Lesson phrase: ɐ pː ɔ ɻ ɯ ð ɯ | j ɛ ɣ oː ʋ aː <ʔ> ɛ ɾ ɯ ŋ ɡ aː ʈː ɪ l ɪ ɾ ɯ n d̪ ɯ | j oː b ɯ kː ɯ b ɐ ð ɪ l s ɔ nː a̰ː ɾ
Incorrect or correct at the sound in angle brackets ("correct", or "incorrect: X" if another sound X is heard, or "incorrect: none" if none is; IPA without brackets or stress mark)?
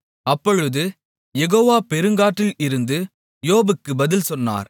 incorrect: p